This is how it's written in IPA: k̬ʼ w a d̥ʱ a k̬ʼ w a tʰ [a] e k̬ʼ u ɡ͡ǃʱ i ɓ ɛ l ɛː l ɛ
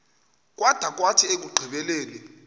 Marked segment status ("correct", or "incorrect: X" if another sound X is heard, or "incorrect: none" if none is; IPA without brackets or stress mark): incorrect: i